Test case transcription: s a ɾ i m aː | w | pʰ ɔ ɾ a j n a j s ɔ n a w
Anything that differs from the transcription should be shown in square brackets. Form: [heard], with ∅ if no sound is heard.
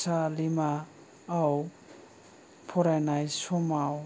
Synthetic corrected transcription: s a [l] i m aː | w | pʰ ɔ ɾ a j n a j s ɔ [m] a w

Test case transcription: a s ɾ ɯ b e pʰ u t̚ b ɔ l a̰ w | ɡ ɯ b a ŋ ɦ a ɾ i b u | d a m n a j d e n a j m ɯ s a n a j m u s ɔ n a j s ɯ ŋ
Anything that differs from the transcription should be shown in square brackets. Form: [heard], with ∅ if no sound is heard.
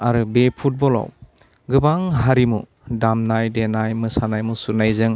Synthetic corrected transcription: a [∅] ɾ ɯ b e pʰ u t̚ b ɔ l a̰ w | ɡ ɯ b a ŋ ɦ a ɾ i [m] u | d a m n a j d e n a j m ɯ s a n a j m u s [u] n a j [z] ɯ ŋ

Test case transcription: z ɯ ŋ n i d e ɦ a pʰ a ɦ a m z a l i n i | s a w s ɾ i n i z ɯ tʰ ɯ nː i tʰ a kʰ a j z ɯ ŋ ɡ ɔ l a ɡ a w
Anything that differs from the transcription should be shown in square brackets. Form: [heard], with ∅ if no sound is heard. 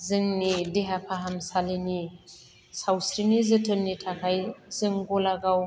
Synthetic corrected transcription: z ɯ ŋ n i d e ɦ a pʰ a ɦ a m [s] a l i n i | s a w s ɾ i n i z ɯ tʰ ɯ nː i tʰ a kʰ a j z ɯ ŋ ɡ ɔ l a ɡ a w

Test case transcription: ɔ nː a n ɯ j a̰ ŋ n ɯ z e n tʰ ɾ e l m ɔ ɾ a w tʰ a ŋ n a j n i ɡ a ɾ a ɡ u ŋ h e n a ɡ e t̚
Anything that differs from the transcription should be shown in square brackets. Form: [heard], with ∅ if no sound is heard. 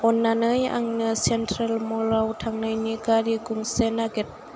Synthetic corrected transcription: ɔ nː a n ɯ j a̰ ŋ n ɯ [s] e n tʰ ɾ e l m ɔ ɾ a w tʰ a ŋ n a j n i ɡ a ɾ [i] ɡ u ŋ [s] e n a ɡ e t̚

